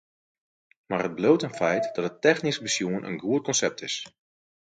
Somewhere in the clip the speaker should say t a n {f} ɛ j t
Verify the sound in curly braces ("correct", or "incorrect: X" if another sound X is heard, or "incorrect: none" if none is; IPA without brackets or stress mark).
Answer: correct